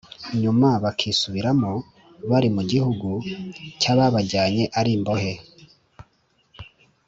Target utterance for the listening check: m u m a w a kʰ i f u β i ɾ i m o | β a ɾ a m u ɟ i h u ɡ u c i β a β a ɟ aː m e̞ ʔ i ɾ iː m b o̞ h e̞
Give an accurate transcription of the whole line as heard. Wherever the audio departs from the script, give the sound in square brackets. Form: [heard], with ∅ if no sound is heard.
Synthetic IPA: [ɲ] u m a [β] a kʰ i [s] u β i ɾ [a] m o | β a ɾ [i] m u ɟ i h u ɡ u c [a] β a β a ɟ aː [ɲ] e̞ ʔ [a] ɾ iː m b o̞ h e̞